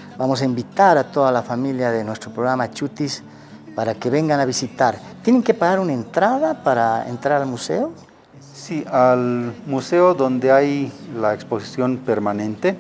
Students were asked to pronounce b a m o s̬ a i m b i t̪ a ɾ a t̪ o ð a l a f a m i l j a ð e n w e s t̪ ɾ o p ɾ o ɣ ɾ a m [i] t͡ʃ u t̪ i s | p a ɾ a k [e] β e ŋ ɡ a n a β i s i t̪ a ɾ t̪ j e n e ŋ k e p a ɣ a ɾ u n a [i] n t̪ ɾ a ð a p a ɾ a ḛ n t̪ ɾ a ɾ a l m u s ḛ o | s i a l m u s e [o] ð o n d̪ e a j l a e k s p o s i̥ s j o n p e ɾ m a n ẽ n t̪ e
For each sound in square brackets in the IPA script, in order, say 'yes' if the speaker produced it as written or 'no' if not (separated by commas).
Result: no, yes, no, yes